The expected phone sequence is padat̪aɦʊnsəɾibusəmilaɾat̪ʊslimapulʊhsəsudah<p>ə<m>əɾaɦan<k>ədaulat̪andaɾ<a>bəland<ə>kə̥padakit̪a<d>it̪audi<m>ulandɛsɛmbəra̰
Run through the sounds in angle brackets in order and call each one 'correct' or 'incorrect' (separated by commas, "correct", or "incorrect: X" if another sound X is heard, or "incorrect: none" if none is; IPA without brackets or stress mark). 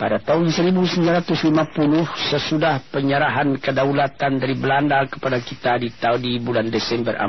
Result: correct, incorrect: ɲ, correct, incorrect: i, incorrect: a, correct, incorrect: b